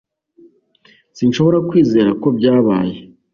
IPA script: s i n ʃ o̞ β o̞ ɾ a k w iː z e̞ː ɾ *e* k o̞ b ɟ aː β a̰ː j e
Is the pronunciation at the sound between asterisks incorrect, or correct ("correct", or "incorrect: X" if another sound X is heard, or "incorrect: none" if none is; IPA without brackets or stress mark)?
incorrect: a